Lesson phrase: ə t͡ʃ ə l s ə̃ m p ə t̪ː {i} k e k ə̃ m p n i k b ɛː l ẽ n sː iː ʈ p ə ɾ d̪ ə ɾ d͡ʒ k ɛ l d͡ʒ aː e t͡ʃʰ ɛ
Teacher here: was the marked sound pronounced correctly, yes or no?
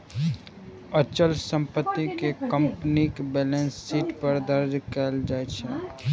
yes